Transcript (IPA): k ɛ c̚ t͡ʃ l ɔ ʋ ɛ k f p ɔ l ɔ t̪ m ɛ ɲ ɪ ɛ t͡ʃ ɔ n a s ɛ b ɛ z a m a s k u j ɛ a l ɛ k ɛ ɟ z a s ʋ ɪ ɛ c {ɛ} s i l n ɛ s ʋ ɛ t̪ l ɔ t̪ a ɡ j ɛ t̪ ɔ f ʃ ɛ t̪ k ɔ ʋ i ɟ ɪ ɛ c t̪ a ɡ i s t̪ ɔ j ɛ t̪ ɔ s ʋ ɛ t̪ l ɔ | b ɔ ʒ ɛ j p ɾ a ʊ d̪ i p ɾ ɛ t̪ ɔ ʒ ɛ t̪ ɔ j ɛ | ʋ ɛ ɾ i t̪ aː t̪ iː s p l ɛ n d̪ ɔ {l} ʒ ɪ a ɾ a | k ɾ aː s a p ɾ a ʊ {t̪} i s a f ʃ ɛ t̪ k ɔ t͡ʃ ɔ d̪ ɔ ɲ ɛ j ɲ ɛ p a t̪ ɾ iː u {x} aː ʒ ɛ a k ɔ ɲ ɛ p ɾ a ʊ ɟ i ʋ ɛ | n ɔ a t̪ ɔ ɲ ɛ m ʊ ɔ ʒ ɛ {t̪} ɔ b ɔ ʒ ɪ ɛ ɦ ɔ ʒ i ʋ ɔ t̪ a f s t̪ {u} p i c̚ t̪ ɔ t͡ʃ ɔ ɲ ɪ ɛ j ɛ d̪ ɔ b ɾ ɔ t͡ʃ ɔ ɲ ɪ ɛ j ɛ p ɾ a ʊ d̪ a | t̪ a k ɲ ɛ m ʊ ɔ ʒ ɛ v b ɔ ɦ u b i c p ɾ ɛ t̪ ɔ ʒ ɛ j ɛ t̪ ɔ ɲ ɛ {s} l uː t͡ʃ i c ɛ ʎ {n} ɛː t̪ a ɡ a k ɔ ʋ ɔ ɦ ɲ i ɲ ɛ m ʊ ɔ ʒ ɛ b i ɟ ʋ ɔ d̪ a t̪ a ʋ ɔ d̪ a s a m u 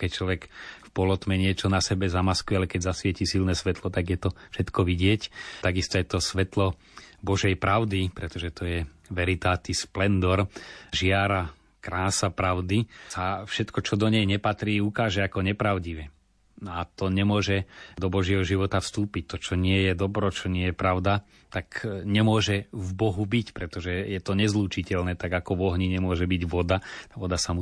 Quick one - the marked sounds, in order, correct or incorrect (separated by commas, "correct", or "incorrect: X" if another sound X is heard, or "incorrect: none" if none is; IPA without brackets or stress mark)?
incorrect: i, incorrect: ɾ, incorrect: d̪, incorrect: k, incorrect: d̪, incorrect: uː, incorrect: z, correct